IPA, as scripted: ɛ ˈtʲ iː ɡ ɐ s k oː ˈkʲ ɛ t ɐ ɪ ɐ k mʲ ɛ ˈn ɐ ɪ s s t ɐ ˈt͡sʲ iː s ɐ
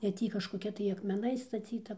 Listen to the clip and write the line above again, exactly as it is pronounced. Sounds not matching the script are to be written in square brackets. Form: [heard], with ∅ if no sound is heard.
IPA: ɛ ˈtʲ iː [k] ɐ [ʃ] k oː ˈkʲ ɛ t ɐ ɪ ɐ k mʲ ɛ ˈn ɐ ɪ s s t ɐ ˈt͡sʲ iː [t] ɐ